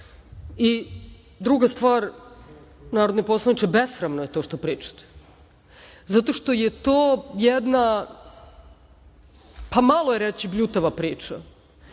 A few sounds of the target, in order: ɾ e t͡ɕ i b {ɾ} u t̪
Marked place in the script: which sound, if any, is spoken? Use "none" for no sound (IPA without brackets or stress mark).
ʎ